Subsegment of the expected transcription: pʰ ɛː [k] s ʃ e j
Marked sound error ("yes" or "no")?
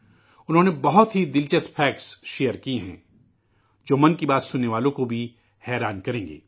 no